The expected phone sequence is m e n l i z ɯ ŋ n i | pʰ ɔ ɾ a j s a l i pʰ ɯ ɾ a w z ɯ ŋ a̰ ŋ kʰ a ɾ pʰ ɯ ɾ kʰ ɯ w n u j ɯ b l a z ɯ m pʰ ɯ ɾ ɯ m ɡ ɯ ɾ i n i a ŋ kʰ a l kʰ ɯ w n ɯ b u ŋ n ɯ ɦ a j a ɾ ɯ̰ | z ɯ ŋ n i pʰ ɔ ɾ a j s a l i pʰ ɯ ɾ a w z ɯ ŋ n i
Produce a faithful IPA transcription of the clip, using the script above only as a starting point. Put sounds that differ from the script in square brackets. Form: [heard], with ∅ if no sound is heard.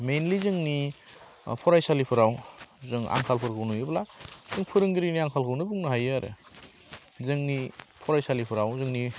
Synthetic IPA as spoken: m e n l i z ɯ ŋ n i | pʰ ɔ ɾ a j s a l i pʰ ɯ ɾ a w z ɯ ŋ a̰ ŋ kʰ a [l] pʰ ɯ ɾ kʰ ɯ w n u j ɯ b l a z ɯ [ŋ] pʰ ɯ ɾ ɯ [ŋ] ɡ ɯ ɾ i n i a ŋ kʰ a l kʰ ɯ w n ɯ b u ŋ n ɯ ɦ a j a ɾ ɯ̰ | z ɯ ŋ n i pʰ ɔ ɾ a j s a l i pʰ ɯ ɾ a w z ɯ ŋ n i

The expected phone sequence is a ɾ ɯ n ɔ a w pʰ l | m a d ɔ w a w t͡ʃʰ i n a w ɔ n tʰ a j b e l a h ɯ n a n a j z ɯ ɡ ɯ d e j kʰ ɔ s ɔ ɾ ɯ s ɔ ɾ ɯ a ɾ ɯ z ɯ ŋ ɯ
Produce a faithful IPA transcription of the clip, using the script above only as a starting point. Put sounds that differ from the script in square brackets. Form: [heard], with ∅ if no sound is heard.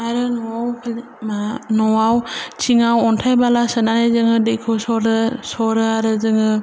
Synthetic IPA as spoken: a ɾ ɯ n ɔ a w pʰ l | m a [n] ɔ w a w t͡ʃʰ i [ŋ] a w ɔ n tʰ a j b [a] l a [s] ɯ n a n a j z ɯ [ŋ] ɯ d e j kʰ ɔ s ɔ ɾ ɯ s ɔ ɾ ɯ a ɾ ɯ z ɯ ŋ ɯ

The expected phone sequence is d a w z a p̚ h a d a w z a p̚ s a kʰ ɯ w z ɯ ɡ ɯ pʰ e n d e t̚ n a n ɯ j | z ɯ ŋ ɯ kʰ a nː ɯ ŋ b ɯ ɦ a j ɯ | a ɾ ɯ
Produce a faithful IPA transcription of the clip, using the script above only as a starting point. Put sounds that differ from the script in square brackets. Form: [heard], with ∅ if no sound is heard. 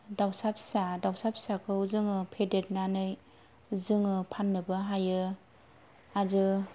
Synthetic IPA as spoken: d a w [s] a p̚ [s] a d a w [s] a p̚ s a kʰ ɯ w z ɯ [ŋ] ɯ pʰ e [∅] d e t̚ n a n ɯ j | z ɯ ŋ ɯ [pʰ] a nː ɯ [∅] b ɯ ɦ a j ɯ | a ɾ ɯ

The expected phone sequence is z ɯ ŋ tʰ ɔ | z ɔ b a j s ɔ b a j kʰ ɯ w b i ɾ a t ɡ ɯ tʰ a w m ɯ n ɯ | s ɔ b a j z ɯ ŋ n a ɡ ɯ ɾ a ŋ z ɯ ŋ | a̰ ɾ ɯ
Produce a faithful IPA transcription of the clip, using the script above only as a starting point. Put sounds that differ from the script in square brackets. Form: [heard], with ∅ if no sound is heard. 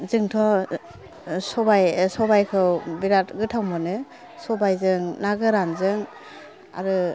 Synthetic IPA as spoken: z ɯ ŋ tʰ ɔ | [s] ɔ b a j s ɔ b a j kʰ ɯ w b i ɾ a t ɡ ɯ tʰ a w m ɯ n ɯ | s ɔ b a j z ɯ ŋ n a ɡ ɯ ɾ a [n] z ɯ ŋ | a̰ ɾ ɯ

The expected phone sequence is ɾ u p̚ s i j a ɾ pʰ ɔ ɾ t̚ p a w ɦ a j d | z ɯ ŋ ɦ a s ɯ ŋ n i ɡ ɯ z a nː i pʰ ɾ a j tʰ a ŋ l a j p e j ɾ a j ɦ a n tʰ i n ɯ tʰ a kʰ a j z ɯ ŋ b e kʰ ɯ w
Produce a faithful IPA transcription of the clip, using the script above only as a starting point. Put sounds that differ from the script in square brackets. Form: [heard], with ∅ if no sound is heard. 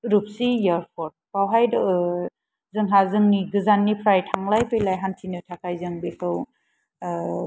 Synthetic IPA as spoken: ɾ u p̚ s i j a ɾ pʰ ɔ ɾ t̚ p a w ɦ a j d | z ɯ ŋ ɦ a [z] ɯ ŋ n i ɡ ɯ z a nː i pʰ ɾ a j tʰ a ŋ l a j p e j [l] a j ɦ a n tʰ i n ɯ tʰ a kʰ a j z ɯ ŋ b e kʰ ɯ w

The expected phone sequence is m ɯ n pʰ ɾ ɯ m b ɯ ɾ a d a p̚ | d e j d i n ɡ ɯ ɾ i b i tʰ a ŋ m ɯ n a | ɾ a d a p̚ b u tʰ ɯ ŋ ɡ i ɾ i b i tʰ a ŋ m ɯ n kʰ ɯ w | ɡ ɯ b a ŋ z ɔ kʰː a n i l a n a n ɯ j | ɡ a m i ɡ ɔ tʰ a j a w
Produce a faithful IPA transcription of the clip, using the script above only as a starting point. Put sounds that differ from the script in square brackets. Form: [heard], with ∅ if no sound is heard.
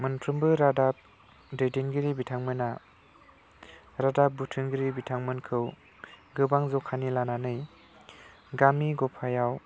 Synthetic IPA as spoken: m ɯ n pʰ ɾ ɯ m b ɯ ɾ a d a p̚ | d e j d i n ɡ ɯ ɾ i b i tʰ a ŋ m ɯ n a | ɾ a d a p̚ b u tʰ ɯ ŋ ɡ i ɾ i b i tʰ a ŋ m ɯ n kʰ ɯ w | ɡ ɯ b a ŋ z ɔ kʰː a n i l a n a n ɯ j | ɡ a m i ɡ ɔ [pʰ] a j a w

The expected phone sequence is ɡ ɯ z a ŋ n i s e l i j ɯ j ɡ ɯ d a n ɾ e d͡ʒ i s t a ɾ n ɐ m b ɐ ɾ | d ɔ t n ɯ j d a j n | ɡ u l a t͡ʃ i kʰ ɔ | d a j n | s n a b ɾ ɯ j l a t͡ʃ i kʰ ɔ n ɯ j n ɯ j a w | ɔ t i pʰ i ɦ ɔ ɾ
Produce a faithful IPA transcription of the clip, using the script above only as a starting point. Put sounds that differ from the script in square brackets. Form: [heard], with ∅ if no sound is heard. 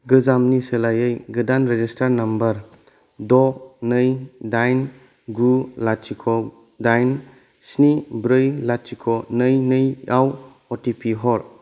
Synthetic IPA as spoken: ɡ ɯ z a [m] n i s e l [a] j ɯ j ɡ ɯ d a n ɾ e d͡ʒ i s t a ɾ n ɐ m b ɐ ɾ | d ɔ [∅] n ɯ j d a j n | ɡ u l a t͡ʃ i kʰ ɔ | d a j n | s n [i] b ɾ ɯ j l a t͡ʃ i kʰ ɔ n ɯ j n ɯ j a w | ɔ t i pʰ i ɦ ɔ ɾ

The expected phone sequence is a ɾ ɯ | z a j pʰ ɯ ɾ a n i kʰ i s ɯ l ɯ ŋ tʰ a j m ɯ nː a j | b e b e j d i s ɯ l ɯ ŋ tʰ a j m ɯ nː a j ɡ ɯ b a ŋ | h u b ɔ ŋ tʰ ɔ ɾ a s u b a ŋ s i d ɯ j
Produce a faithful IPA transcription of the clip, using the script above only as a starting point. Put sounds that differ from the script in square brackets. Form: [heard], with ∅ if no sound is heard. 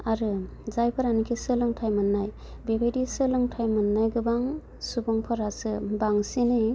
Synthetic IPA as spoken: a ɾ ɯ | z a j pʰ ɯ ɾ a n i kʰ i s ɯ l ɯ ŋ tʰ a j m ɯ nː a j | b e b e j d i s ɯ l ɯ ŋ tʰ a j m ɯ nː a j ɡ ɯ b a ŋ | [s] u b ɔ ŋ [pʰ] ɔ ɾ a s [ɯ] b a ŋ s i [n] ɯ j

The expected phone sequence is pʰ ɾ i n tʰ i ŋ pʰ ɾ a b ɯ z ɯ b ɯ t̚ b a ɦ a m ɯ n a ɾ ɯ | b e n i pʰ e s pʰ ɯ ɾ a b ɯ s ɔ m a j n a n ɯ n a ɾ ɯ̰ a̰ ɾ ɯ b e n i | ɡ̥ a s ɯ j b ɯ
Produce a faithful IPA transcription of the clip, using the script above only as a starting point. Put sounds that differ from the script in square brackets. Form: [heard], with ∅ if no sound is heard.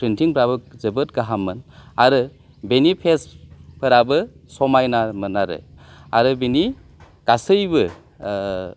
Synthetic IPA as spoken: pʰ ɾ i n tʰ i ŋ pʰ ɾ a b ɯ z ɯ b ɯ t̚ [ɡ] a ɦ a m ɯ n a ɾ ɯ | b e n i pʰ e s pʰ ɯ ɾ a b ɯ s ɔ m a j n a [m] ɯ n a ɾ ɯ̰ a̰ ɾ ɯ b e n i | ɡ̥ a s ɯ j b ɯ

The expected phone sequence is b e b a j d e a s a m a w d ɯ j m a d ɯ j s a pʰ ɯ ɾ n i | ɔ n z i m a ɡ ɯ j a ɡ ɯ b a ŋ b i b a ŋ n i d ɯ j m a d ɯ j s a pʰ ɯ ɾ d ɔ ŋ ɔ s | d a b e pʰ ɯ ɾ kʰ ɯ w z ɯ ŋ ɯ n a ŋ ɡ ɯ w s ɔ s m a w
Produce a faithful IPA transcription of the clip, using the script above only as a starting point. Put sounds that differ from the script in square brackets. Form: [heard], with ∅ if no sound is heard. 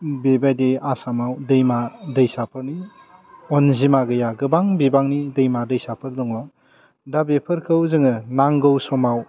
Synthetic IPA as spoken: b e b a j d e a s a m a w d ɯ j m a d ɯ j s a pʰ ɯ ɾ n i | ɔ n z i m a ɡ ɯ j a ɡ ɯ b a ŋ b i b a ŋ n i d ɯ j m a d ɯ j s a pʰ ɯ ɾ d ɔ ŋ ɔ [∅] | d a b e pʰ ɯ ɾ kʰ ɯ w z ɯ ŋ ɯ n a ŋ ɡ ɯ w s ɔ [∅] m a w

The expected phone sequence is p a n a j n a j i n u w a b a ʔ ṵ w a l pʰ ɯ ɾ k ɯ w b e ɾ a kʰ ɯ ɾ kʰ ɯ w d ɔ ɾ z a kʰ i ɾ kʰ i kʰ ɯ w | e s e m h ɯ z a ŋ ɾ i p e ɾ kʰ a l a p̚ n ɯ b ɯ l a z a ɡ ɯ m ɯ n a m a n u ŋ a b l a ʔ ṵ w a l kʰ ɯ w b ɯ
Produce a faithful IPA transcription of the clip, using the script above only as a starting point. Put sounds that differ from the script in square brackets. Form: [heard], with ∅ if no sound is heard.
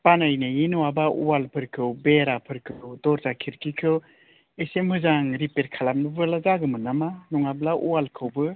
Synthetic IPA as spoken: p a n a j n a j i n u w a b a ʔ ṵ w a l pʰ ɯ ɾ [kʰ] ɯ w b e ɾ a [pʰ] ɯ ɾ kʰ ɯ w d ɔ ɾ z a kʰ i ɾ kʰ i kʰ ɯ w | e s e m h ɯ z a ŋ ɾ i p e ɾ kʰ a l a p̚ n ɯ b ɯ l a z a ɡ ɯ m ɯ n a m a n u ŋ a b l a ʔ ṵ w a l kʰ ɯ w b ɯ

